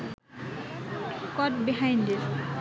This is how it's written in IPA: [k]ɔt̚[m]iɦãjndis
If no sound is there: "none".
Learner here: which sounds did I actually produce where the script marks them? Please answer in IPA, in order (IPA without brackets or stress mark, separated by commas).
k, b